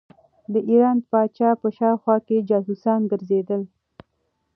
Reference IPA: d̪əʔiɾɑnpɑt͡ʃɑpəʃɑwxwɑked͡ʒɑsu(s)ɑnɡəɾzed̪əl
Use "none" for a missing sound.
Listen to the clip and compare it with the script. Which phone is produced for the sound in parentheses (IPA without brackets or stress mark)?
s